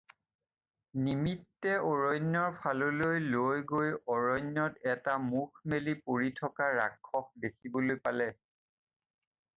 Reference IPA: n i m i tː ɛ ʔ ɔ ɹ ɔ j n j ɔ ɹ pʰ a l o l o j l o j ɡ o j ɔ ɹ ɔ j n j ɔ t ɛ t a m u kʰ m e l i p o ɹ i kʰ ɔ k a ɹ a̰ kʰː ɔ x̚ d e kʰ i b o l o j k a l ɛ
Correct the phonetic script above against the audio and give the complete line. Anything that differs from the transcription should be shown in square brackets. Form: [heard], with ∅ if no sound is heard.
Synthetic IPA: n i m i tː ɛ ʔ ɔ ɹ ɔ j n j ɔ ɹ pʰ a l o l o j l o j ɡ o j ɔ ɹ ɔ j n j ɔ t ɛ t a m u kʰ m e l i p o ɹ i [tʰ] ɔ k a ɹ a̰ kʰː ɔ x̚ d e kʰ i b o l o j [p] a l ɛ